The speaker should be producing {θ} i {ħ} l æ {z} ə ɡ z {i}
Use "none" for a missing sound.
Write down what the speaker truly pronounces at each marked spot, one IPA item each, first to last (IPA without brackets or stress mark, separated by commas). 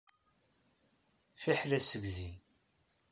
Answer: f, ħ, s, i